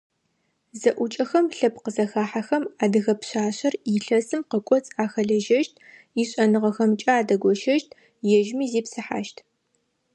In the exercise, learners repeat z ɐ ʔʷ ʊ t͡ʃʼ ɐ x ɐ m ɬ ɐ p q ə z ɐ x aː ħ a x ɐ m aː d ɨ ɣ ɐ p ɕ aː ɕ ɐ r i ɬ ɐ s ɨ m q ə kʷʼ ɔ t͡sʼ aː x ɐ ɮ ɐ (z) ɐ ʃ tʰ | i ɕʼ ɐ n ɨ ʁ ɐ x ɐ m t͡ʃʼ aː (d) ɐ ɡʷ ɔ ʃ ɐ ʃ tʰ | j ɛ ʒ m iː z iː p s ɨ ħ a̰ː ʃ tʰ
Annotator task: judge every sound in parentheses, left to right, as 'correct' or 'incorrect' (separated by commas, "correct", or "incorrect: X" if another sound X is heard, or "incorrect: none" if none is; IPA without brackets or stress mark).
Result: incorrect: ʒ, correct